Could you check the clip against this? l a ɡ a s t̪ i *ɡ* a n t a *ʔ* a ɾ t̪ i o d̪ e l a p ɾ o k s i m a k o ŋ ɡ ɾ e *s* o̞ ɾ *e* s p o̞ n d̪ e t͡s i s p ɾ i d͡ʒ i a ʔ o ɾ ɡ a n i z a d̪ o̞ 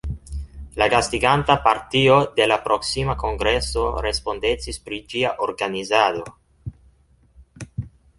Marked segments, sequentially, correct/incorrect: correct, incorrect, correct, correct

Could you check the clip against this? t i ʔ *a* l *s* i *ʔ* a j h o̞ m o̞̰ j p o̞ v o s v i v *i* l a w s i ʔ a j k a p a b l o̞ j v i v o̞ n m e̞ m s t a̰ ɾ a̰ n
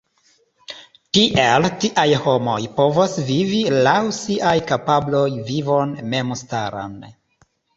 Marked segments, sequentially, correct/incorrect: incorrect, incorrect, correct, correct

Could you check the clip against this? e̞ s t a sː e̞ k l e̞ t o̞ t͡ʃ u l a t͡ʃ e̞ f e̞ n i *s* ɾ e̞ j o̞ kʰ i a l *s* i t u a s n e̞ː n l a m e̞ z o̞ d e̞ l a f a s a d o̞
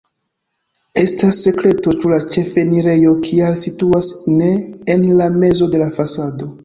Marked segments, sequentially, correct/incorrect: incorrect, correct

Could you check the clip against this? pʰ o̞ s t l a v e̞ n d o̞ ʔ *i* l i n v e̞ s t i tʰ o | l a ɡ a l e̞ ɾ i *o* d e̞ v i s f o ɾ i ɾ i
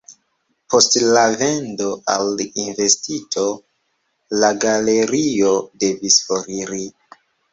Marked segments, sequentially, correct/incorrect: incorrect, correct

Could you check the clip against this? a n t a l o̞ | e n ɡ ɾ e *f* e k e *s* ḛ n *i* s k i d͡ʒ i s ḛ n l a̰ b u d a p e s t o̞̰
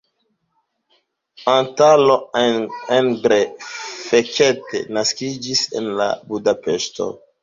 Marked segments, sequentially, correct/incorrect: correct, incorrect, incorrect

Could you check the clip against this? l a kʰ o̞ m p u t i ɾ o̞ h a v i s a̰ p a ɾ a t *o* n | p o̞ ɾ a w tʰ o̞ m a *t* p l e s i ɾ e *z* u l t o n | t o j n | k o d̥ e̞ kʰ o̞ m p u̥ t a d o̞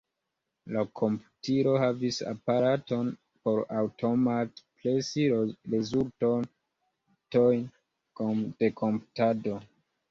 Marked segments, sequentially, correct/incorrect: correct, correct, correct

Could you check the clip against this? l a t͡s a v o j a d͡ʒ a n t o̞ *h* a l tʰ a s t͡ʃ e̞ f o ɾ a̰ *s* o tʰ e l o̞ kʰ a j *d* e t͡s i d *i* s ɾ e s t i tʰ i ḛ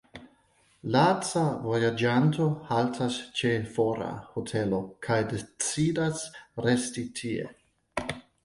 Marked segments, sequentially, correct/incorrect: correct, incorrect, correct, incorrect

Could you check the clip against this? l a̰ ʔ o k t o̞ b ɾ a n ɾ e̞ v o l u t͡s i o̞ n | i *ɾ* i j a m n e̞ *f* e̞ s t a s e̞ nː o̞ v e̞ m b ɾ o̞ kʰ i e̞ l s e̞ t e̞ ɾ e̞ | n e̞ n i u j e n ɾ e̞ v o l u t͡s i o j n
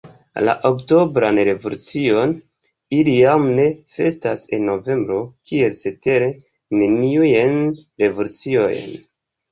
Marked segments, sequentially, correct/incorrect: incorrect, correct

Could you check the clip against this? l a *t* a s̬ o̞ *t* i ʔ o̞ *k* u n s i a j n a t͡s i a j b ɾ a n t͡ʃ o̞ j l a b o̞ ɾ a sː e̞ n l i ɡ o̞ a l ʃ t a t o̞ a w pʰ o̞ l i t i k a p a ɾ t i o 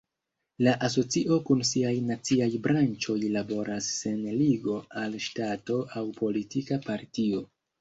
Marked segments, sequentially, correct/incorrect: incorrect, incorrect, correct

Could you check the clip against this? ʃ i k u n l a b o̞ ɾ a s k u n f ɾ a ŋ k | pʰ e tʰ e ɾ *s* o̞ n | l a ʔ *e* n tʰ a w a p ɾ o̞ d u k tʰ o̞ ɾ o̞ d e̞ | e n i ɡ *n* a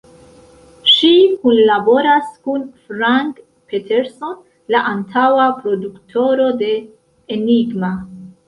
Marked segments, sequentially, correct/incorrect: correct, incorrect, incorrect

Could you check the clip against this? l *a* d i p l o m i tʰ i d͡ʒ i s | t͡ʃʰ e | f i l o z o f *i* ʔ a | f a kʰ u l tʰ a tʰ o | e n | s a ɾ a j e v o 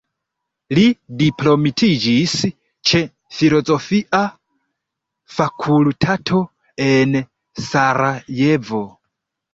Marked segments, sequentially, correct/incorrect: incorrect, correct

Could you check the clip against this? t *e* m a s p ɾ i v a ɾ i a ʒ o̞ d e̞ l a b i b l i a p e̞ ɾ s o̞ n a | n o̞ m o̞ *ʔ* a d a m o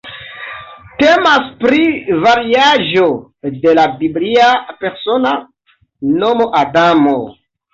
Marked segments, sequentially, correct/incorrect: correct, correct

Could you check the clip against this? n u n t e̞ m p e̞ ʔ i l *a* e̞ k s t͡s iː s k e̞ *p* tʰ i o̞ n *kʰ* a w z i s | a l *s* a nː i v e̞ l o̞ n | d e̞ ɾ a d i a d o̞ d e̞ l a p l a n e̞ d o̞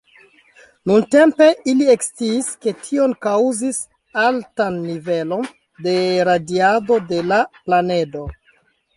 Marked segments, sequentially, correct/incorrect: incorrect, incorrect, incorrect, incorrect

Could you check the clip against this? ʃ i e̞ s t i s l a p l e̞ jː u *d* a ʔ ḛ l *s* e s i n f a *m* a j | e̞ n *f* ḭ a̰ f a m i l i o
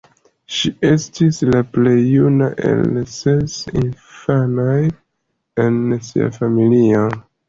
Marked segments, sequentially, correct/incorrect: incorrect, correct, incorrect, incorrect

